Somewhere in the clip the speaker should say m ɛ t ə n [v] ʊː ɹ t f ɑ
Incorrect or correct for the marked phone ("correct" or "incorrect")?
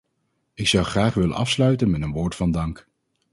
incorrect